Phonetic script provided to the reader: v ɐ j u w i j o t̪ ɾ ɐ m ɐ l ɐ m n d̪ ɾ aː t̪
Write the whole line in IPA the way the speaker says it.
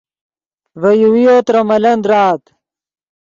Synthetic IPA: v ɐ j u w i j o t̪ ɾ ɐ m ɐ l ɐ n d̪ ɾ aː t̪